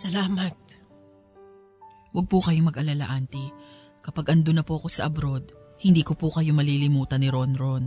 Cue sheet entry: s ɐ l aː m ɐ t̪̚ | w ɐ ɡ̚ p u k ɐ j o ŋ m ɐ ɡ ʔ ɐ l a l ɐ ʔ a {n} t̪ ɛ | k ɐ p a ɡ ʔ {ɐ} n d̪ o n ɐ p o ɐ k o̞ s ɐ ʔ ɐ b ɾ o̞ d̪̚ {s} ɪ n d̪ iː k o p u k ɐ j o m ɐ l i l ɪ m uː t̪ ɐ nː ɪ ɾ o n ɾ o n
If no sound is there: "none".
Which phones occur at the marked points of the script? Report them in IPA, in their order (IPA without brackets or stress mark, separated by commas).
n, ɐ, h